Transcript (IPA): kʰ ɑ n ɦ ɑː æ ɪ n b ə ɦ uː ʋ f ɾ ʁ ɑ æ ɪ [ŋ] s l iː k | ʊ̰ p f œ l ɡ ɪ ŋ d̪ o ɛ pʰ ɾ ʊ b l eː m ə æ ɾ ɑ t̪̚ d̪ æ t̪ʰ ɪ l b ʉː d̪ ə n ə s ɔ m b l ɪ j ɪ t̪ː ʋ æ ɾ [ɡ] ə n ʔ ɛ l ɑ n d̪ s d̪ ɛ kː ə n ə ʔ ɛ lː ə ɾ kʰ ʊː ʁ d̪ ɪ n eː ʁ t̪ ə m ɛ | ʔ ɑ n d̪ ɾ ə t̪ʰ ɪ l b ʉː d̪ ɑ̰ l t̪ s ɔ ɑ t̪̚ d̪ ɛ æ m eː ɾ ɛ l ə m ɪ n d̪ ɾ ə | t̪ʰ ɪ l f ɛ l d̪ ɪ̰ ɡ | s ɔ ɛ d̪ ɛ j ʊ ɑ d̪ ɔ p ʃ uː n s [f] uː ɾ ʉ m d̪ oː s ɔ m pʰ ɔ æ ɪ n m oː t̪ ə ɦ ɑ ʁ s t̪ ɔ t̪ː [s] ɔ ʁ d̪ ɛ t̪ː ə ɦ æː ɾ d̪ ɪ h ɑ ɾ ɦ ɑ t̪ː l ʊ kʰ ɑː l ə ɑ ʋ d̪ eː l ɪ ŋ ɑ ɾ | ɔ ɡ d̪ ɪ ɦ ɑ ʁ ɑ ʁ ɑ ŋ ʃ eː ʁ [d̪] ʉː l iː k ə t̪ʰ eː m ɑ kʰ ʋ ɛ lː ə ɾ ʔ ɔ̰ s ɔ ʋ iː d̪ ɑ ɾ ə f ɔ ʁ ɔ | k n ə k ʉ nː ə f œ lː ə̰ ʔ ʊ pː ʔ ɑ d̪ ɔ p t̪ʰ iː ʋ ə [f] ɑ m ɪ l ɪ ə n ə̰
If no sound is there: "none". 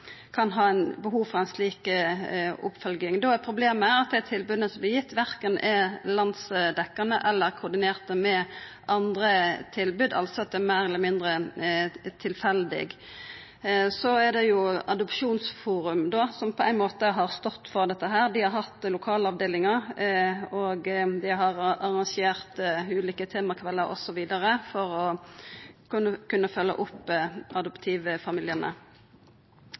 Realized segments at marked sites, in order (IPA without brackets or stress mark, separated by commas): n, k, f, f, t̪, f